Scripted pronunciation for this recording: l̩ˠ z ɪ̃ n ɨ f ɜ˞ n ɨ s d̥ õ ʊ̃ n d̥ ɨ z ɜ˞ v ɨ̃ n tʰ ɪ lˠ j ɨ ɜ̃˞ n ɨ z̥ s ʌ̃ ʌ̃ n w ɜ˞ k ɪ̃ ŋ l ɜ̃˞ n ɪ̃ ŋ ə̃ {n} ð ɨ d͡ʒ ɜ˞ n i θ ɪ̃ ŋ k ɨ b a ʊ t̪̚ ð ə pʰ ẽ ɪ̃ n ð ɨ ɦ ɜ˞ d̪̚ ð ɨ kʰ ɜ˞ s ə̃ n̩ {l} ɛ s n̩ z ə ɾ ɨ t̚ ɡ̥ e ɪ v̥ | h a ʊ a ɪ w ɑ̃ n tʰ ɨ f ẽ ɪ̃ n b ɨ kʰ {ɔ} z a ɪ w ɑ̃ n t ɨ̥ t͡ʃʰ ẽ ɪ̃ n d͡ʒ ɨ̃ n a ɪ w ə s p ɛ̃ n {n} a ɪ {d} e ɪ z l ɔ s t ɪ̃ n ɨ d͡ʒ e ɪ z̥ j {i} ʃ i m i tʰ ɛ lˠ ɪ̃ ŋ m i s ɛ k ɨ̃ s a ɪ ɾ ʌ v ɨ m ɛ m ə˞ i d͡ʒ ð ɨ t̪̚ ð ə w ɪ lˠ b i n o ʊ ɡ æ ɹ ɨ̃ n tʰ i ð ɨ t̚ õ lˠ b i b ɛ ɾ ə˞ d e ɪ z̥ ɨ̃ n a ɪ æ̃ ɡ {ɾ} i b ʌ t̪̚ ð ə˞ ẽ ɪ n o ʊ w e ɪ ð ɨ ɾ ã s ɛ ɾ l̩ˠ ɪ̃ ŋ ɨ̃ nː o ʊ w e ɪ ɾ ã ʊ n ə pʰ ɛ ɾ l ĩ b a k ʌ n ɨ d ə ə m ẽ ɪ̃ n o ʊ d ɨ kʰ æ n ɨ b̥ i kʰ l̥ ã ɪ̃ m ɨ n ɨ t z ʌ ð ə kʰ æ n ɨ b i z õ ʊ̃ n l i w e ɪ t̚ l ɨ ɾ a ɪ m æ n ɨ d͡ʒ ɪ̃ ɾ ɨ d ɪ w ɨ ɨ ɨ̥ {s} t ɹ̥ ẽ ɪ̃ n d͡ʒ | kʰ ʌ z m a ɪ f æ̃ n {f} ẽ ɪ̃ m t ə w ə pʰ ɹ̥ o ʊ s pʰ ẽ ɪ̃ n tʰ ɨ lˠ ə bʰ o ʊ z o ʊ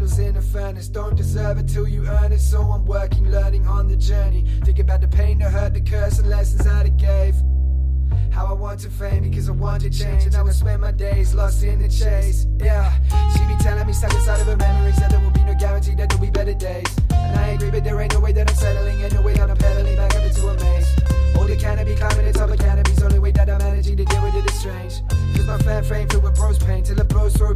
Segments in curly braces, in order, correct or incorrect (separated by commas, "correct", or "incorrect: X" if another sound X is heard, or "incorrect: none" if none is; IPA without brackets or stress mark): correct, correct, incorrect: ʌ, incorrect: m, correct, incorrect: æ, incorrect: ɹ, correct, correct